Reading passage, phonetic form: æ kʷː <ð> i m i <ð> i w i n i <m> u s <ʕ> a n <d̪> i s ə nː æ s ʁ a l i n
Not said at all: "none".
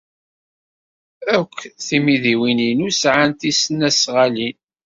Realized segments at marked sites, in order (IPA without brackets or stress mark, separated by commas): θ, ð, n, ʕ, t̪